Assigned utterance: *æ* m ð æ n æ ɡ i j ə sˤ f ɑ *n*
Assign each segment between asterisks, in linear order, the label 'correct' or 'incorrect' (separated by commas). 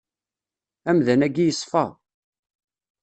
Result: correct, incorrect